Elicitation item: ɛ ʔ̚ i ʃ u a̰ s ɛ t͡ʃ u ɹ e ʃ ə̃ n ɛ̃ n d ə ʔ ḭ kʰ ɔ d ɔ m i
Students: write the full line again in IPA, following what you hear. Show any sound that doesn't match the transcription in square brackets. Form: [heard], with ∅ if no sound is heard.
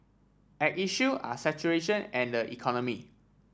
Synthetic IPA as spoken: ɛ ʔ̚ i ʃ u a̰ s ɛ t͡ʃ u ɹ e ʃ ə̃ n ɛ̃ n d ə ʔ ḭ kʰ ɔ [n] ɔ m i